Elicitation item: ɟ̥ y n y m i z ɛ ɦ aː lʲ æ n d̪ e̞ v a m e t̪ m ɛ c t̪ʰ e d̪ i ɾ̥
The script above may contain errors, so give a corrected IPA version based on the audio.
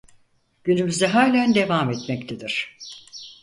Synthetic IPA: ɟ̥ y n y m y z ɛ ɦ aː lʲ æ n d̪ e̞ v a m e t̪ m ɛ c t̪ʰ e d̪ i ɾ̥